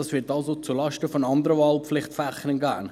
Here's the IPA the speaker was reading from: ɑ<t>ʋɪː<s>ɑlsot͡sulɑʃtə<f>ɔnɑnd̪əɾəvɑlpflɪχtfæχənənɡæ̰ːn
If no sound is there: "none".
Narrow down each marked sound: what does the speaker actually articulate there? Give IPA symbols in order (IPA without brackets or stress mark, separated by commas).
s, t, f